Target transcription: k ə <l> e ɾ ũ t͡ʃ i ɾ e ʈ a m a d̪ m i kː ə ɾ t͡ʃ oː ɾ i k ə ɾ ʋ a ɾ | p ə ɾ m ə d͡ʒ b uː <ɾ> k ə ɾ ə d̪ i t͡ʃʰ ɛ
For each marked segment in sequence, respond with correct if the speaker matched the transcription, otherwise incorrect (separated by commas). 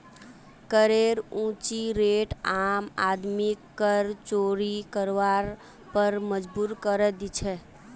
incorrect, correct